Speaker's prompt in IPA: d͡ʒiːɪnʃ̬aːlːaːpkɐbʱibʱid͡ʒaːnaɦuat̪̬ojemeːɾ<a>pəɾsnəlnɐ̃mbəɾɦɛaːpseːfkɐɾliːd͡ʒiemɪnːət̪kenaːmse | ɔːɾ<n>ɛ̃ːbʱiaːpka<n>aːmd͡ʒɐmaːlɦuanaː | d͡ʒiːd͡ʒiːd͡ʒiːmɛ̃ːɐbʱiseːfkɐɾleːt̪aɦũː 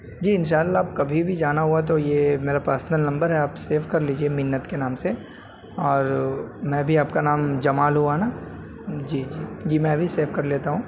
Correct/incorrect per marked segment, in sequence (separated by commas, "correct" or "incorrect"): correct, incorrect, correct